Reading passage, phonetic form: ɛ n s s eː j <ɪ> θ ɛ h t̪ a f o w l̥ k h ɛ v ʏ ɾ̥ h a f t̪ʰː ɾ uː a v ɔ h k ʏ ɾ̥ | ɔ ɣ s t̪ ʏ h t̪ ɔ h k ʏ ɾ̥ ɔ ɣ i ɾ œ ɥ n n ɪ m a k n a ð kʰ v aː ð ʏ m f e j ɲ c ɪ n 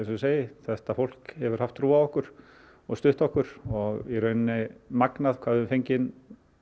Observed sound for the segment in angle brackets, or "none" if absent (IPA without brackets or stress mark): ɪ